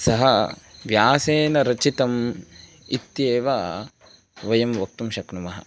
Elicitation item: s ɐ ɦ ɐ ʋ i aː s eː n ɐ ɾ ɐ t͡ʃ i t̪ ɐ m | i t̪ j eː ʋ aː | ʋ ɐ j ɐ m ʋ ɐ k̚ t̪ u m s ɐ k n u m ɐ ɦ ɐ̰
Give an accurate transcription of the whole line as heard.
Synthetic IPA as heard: s ɐ ɦ ɐ ʋ j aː s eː n ɐ ɾ ɐ t͡ʃ i t̪ ɐ m | i t̪ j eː ʋ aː | ʋ ɐ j ɐ m ʋ ɐ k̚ t̪ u m ʃ ɐ k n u m ɐ ɦ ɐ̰